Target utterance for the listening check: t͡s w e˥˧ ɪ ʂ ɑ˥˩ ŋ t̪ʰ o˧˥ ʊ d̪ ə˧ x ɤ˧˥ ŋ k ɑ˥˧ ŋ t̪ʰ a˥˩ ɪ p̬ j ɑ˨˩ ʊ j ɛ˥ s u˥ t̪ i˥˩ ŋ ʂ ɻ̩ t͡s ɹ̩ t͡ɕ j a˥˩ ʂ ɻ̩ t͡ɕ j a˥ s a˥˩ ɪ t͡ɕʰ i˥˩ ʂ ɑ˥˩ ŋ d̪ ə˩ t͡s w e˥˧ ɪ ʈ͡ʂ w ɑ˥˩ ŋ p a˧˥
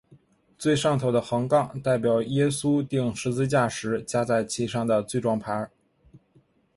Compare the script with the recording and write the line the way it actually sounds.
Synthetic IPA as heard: t͡s w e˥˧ ɪ ʂ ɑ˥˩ ŋ t̪ʰ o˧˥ ʊ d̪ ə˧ x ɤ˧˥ ŋ k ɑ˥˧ ŋ t̪ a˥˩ ɪ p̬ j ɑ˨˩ ʊ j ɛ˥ s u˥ t̪ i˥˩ ŋ ʂ ɻ̩ t͡s ɹ̩ t͡ɕ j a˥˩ ʂ ɻ̩ t͡ɕ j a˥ t͡s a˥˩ ɪ t͡ɕʰ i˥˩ ʂ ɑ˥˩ ŋ d̪ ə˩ t͡s w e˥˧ ɪ ʈ͡ʂ w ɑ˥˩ ŋ pʰ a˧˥